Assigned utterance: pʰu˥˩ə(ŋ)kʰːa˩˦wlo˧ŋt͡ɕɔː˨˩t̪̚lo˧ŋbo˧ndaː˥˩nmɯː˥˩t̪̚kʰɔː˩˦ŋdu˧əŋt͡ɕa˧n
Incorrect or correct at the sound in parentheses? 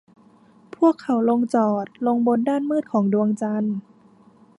incorrect: none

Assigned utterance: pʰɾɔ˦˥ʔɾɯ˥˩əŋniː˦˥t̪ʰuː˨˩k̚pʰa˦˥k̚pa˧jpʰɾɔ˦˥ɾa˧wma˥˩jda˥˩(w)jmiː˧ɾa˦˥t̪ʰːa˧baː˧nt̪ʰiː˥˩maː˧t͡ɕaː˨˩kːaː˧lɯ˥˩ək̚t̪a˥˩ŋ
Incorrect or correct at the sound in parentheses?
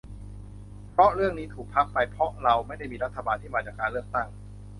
incorrect: none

